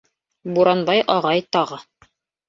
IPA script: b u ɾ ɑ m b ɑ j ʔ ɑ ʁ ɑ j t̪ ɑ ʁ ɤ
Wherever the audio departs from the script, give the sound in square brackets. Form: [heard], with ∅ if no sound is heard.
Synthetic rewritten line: b u ɾ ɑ [n] b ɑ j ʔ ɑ ʁ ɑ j t̪ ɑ ʁ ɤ